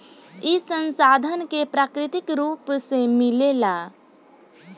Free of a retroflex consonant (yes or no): yes